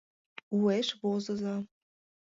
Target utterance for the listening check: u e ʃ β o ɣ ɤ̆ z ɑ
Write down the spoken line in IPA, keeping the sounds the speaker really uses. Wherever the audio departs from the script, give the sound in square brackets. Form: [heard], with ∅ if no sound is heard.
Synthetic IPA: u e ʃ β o [z] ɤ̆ z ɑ